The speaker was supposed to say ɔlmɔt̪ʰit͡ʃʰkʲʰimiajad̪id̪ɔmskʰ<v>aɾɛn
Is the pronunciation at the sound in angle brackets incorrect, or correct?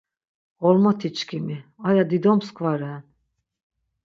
correct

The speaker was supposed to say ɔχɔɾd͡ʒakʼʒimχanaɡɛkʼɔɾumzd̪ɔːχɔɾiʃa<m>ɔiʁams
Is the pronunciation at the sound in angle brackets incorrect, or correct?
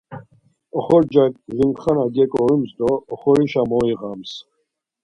correct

